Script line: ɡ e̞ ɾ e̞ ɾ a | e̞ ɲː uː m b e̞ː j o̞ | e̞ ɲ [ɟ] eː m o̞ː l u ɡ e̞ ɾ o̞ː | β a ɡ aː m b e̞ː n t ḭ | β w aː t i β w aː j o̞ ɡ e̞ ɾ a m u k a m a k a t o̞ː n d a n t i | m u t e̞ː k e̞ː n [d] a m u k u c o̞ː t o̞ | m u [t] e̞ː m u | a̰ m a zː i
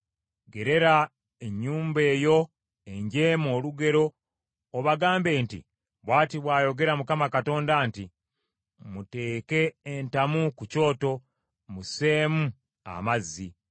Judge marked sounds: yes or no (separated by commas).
yes, no, no